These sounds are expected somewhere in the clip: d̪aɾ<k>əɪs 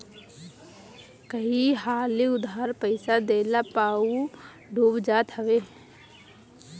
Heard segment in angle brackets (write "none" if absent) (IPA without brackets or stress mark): p